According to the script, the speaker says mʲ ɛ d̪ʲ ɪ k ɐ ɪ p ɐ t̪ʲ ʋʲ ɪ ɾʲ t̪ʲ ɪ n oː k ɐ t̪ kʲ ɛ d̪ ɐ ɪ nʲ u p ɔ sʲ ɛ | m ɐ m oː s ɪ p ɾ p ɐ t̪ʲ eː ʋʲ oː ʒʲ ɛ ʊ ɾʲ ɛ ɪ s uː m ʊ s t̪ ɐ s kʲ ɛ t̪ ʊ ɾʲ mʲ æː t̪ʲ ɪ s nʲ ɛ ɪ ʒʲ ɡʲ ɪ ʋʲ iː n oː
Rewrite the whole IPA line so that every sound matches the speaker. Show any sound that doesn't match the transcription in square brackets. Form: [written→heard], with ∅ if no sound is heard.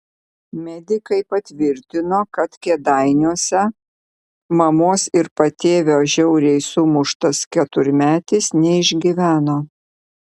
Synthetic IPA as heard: mʲ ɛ d̪ʲ ɪ k ɐ ɪ p ɐ t̪ʲ ʋʲ ɪ ɾʲ t̪ʲ ɪ n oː k ɐ t̪ kʲ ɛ d̪ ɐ ɪ nʲ u [p→∅] ɔ sʲ ɛ | m ɐ m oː s ɪ [p→∅] ɾ p ɐ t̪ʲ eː ʋʲ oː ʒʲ ɛ ʊ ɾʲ ɛ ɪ s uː m ʊ [s→ʃ] t̪ ɐ s kʲ ɛ t̪ ʊ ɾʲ mʲ æː t̪ʲ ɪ s nʲ ɛ ɪ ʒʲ ɡʲ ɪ ʋʲ [iː→æː] n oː